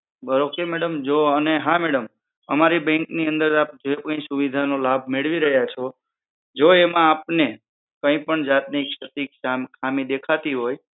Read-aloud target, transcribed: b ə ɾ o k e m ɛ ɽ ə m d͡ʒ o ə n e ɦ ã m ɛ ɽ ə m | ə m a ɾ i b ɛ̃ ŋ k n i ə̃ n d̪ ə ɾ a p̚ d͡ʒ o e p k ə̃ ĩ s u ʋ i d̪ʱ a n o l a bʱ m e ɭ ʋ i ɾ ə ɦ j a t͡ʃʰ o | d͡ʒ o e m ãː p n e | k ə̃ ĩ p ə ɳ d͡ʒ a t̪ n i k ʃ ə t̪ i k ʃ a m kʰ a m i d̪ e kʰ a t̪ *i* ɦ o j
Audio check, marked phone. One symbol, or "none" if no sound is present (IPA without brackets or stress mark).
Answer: i